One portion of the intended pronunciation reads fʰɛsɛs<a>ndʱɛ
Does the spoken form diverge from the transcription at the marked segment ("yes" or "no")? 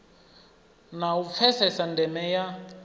no